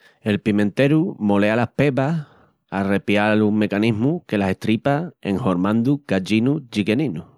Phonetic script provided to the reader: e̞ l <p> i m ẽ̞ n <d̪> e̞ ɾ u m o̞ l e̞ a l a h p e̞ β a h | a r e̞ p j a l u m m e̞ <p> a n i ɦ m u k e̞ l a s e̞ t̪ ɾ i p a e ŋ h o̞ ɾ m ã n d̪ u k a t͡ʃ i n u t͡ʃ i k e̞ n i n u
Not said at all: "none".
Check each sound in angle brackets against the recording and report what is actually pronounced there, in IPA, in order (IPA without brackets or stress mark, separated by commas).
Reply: p, t̪, k